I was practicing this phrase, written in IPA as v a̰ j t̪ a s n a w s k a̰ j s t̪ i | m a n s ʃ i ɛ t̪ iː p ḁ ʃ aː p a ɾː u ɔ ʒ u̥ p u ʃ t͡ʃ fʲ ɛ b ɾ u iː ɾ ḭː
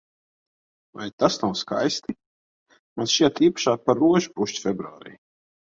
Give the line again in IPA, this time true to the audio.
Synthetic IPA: v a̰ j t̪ a s n a w s k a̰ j s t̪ i | m a n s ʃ i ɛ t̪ iː p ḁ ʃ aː p a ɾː u ɔ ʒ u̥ p u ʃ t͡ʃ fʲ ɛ b ɾ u aː ɾ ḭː